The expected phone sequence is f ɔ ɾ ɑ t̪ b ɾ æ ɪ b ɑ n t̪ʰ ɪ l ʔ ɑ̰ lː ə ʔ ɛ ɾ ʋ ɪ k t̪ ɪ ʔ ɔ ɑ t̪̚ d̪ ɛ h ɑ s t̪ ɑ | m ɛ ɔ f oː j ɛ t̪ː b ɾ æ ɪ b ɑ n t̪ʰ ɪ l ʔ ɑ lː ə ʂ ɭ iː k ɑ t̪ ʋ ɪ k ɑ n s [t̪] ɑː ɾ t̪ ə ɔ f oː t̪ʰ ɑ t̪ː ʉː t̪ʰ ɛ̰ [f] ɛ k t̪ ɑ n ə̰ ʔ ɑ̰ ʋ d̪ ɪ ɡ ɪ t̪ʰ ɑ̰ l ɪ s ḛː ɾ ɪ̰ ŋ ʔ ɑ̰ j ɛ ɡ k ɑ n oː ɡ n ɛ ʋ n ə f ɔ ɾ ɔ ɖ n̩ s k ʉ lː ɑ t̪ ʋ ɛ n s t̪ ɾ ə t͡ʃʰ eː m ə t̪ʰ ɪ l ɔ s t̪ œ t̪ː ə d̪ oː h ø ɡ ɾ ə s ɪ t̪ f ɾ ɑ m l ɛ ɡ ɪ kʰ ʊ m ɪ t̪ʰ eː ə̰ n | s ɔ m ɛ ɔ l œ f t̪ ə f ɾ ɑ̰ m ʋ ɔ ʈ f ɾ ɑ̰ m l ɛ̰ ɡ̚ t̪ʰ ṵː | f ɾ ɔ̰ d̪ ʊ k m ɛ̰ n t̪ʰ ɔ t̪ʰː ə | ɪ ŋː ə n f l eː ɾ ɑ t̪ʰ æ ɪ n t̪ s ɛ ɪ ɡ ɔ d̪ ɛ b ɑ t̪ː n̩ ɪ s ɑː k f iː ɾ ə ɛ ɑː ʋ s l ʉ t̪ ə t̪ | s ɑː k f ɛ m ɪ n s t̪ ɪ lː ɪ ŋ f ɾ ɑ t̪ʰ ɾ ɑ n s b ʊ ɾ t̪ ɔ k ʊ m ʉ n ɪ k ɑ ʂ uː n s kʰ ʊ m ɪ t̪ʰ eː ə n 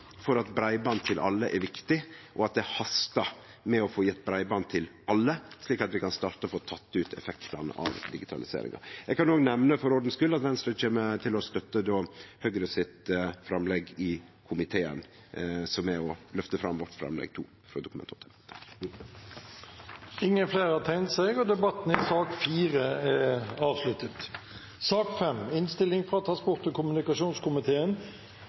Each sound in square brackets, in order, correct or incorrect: correct, correct

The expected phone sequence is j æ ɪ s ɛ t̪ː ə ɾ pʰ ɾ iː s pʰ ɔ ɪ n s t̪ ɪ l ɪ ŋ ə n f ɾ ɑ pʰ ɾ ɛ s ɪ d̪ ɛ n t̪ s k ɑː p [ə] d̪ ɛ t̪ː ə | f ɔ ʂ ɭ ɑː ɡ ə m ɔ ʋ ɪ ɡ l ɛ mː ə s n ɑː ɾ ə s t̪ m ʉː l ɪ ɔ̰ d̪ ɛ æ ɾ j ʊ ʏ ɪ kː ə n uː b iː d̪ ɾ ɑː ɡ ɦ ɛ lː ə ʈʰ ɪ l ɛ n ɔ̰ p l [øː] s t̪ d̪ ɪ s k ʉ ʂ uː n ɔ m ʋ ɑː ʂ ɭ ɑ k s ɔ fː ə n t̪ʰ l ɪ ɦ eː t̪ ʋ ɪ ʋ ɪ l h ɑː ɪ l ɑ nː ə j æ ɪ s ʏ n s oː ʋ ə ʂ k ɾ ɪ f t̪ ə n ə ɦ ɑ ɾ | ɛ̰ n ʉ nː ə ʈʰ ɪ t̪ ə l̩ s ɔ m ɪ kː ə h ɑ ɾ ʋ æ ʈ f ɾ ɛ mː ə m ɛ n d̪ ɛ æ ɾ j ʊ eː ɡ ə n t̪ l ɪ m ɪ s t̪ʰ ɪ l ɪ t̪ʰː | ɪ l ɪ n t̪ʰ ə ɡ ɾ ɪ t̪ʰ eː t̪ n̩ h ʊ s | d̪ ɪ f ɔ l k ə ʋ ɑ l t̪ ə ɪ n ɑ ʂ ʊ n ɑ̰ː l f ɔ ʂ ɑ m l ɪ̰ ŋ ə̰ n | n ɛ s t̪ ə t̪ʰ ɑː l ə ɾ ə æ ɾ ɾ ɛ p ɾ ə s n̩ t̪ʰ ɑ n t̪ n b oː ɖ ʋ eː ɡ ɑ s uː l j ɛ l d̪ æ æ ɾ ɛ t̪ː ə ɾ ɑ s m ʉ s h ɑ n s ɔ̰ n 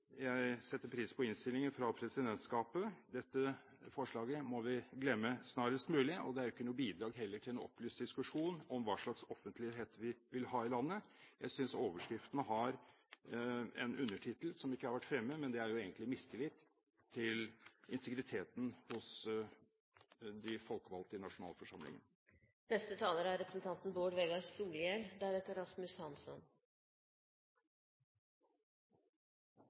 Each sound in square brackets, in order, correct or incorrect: correct, incorrect

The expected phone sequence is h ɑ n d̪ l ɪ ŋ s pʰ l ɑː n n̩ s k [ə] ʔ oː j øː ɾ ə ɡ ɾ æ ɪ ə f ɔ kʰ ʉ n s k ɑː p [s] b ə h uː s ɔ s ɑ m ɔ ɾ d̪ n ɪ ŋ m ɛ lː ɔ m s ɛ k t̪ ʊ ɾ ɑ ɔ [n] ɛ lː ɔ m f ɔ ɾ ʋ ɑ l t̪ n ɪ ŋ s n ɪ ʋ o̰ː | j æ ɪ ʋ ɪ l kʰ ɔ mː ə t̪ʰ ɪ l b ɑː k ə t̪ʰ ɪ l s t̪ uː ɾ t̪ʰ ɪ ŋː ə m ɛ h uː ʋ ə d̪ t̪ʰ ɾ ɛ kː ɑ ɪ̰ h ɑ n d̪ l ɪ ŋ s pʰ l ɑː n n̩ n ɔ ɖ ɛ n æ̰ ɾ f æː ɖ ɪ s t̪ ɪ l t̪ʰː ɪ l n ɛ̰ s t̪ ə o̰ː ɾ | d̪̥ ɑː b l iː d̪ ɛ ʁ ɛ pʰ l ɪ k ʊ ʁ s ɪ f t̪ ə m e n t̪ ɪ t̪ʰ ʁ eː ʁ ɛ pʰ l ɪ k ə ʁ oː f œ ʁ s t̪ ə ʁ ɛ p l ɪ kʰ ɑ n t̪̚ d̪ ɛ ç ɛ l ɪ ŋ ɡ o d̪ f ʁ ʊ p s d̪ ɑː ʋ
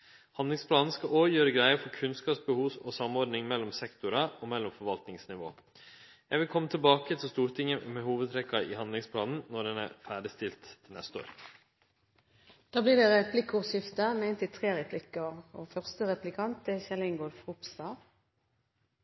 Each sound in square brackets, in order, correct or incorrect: incorrect, correct, incorrect

